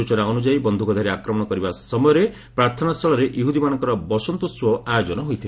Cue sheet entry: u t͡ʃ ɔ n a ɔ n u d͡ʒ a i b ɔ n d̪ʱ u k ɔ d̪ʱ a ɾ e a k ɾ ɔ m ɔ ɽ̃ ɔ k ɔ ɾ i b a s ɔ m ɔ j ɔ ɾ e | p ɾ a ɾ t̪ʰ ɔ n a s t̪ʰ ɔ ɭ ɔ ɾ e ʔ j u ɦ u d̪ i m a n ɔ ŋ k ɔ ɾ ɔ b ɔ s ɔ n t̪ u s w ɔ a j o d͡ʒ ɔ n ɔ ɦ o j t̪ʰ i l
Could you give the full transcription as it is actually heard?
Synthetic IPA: u t͡ʃ ɔ n a ɔ n u d͡ʒ a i b ɔ n d̪ʱ u k ɔ d̪ʱ a ɾ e a k ɾ ɔ m ɔ ɽ̃ ɔ k ɔ ɾ i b a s ɔ m ɔ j ɔ ɾ e | p ɾ a ɾ t̪ʰ ɔ n a s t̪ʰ ɔ ɭ ɔ ɾ e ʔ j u ɦ u d̪ i m a n ɔ ŋ k ɔ ɾ ɔ b ɔ s ɔ n t̪ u s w ɔ a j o d͡ʒ ɔ n ɔ ɦ o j t̪ʰ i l